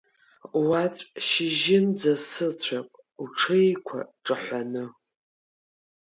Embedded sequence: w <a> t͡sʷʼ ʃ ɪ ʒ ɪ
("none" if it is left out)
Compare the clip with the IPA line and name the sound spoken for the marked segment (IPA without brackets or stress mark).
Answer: a